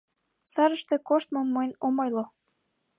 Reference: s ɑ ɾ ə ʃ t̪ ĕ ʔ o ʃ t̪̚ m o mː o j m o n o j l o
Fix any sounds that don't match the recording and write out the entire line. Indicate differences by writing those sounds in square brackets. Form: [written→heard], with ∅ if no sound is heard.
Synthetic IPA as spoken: s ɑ ɾ ə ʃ t̪ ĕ [ʔ→k] o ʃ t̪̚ m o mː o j [m→n] o [n→m] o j l o